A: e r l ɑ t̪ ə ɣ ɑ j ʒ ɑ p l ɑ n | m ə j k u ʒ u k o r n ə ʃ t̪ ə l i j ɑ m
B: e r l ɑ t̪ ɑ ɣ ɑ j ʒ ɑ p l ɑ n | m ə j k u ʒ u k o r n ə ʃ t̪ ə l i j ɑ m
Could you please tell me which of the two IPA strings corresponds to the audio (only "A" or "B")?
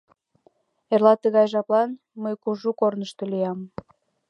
A